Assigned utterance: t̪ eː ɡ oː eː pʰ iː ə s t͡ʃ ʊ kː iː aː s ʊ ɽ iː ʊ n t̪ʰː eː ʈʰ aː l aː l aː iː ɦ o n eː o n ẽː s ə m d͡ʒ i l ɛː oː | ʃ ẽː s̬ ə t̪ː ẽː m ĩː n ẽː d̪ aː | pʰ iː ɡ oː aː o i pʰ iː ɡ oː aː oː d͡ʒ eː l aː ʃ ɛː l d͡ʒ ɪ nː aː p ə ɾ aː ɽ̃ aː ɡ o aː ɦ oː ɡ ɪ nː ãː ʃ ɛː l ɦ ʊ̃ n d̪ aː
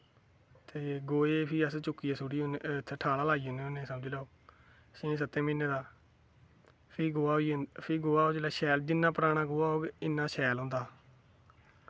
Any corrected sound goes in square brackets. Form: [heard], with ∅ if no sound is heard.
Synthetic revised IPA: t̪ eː ɡ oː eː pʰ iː ə s t͡ʃ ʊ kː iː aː s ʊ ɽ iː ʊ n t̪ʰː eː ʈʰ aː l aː l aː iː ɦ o n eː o n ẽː s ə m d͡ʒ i l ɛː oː | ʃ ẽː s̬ ə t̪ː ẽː m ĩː n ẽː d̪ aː | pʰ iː ɡ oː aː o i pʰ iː ɡ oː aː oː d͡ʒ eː l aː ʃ ɛː l d͡ʒ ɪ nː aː p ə ɾ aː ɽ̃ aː ɡ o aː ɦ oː ɡ ɪ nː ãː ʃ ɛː l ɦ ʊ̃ n d̪ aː